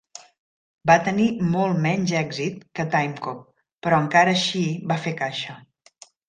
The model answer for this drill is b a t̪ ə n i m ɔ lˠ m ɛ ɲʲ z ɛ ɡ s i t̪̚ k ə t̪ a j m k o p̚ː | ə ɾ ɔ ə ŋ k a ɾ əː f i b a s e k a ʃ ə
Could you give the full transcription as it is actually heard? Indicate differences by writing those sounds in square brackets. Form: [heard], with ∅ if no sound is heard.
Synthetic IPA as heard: b a t̪ ə n i m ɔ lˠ m ɛ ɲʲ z ɛ ɡ [z] i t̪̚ k ə t̪ a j m k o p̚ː | ə ɾ ɔ ə ŋ k a ɾ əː [ʃ] i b a [f] e k a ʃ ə

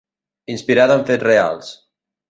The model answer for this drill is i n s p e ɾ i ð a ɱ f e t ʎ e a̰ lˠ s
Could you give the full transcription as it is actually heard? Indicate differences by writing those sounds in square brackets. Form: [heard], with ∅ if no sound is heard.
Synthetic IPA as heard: i n s p [i] ɾ [a] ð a ɱ f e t [r] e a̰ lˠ s

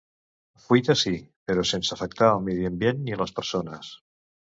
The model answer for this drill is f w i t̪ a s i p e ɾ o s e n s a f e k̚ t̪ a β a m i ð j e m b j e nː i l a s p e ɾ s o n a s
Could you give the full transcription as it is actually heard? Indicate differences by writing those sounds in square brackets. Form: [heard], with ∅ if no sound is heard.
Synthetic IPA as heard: f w i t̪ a s i p e ɾ o s e n s a f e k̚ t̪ a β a m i ð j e m b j e nː i l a s p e ɾ s o n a s

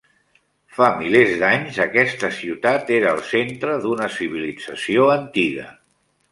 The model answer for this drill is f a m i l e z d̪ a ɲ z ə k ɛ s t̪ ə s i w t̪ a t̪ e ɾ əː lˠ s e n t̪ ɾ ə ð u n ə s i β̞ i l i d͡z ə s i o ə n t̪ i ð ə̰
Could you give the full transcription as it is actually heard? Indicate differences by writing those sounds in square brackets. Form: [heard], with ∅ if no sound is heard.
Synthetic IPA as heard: f a m i l e z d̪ a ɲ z ə k ɛ s t̪ ə s i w t̪ a t̪ e ɾ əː lˠ s e n t̪ ɾ ə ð u n ə s i β̞ i l i d͡z ə s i o ə n t̪ i [ɣ] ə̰

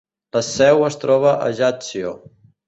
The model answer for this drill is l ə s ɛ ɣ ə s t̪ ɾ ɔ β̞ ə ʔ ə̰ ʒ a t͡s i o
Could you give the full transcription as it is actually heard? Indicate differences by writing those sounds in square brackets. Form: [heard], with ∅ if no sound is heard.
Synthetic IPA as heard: l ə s ɛ [w] ə s t̪ ɾ ɔ β̞ ə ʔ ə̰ ʒ a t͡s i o

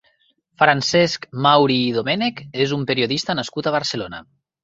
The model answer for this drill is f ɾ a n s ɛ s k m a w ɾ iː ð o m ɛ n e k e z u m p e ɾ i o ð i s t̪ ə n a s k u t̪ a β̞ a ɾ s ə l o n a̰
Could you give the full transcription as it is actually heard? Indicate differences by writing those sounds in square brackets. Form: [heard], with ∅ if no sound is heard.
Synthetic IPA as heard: f ɾ a n s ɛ s k m a w ɾ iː ð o m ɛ n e k e z u m p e ɾ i o ð i s t̪ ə n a s k u t̪ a β̞ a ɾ s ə l o n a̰

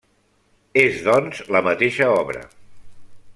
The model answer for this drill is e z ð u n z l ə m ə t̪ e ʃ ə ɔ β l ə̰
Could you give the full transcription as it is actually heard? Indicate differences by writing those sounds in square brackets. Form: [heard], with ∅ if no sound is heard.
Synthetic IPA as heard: e z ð [ɔ] n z l ə m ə t̪ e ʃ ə ɔ β [ɾ] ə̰

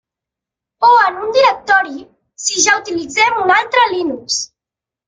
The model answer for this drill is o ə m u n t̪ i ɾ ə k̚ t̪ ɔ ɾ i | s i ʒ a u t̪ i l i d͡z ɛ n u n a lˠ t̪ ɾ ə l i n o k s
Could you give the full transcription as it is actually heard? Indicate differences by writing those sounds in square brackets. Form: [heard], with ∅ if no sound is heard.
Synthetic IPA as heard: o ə [n] u n [d̪] i ɾ ə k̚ t̪ ɔ ɾ i | s i ʒ a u t̪ i l i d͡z ɛ [m] u n a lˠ t̪ ɾ ə l i n [u] k s

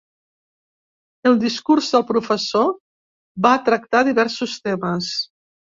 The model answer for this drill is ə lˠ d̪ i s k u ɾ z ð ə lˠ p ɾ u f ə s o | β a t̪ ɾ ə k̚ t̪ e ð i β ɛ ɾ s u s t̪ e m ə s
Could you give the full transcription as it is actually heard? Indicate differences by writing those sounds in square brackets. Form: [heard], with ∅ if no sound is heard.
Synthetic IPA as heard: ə lˠ d̪ i s k u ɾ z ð ə lˠ p ɾ u f ə s o | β a t̪ ɾ ə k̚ t̪ [a] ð i β ɛ ɾ s u s t̪ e m ə s

